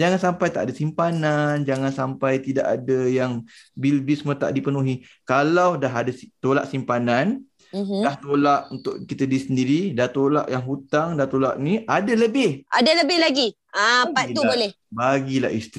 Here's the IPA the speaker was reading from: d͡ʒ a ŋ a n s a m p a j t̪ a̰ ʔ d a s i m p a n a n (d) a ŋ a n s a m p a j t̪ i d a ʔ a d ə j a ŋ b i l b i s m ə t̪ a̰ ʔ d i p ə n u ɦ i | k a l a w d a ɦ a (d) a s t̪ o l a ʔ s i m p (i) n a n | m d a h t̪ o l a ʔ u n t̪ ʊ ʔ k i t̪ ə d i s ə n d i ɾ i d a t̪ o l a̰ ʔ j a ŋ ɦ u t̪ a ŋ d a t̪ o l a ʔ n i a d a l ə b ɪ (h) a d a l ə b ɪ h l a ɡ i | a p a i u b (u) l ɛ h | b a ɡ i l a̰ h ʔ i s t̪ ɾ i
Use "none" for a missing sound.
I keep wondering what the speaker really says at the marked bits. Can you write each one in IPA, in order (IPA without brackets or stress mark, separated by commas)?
d͡ʒ, d, a, h, o